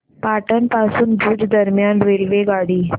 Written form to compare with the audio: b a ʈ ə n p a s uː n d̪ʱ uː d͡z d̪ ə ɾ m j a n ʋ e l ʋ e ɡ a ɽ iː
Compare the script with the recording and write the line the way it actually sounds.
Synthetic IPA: p a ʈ ə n p a s uː n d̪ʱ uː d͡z d̪ ə ɾ m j a n ʋ e l ʋ e ɡ a ɽ iː